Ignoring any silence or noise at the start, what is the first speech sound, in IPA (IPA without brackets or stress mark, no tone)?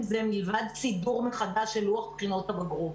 z